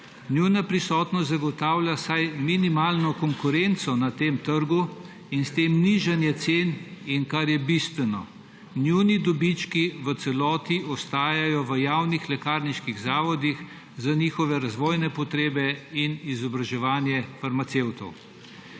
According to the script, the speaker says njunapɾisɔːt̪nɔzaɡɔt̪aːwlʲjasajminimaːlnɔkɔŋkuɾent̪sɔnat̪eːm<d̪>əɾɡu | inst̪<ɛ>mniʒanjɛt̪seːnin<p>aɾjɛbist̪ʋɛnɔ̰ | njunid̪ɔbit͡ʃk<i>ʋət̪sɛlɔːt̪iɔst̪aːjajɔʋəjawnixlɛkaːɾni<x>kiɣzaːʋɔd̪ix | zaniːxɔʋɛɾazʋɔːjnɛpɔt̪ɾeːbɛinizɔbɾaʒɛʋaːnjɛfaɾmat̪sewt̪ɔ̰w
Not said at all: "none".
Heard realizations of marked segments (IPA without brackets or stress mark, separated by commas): t̪, e, k, i, ʃ